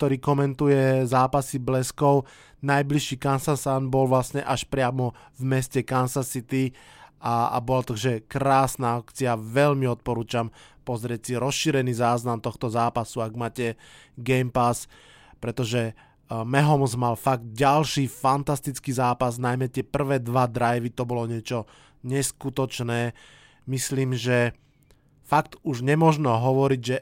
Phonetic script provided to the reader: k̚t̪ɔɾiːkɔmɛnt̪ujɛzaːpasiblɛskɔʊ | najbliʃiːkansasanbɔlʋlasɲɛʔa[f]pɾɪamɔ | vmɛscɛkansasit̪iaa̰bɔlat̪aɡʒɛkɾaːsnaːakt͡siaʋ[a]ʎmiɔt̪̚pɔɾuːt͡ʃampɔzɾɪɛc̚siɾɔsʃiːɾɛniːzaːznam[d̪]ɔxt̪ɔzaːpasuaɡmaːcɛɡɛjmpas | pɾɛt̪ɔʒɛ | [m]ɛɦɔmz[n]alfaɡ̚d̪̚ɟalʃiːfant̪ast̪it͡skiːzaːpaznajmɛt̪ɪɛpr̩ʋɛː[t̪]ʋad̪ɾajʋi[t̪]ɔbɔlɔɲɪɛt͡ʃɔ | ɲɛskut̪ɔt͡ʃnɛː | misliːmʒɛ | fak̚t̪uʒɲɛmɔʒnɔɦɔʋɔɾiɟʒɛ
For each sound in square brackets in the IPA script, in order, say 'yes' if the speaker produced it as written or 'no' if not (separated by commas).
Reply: no, no, no, yes, no, no, yes